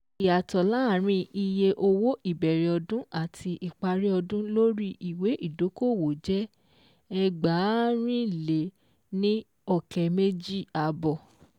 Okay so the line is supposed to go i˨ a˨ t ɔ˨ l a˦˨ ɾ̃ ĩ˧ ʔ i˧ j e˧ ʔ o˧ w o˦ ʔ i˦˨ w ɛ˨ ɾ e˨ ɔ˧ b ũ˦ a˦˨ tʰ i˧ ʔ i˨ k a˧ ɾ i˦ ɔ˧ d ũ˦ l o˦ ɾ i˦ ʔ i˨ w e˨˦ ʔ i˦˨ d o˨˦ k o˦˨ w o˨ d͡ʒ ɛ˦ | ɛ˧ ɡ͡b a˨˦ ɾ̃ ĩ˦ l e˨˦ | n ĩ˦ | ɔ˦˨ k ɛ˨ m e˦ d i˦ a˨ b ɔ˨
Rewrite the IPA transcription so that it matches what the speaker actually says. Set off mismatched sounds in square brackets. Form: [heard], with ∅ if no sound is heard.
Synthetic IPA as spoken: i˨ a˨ t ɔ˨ l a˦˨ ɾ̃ ĩ˧ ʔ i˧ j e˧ ʔ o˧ w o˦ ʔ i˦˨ [b] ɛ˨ ɾ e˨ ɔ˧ [d] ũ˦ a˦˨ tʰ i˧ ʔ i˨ [k͡p] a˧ ɾ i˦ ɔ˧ d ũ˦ l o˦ ɾ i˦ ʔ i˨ w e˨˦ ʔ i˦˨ d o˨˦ k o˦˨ w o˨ d͡ʒ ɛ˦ | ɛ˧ ɡ͡b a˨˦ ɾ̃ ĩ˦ l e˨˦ | n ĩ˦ | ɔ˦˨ k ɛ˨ m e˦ [d͡ʒ] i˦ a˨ b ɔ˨